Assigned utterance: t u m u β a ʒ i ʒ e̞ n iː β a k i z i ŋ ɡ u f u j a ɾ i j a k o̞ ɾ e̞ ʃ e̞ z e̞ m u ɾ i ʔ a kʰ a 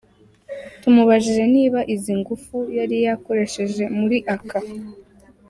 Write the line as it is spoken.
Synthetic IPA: t u m u β a ʒ i ʒ e̞ n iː β a ʔ i z i ŋ ɡ u f u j a ɾ i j a k o̞ ɾ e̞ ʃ e̞ ʒ e̞ m u ɾ i ʔ a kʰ a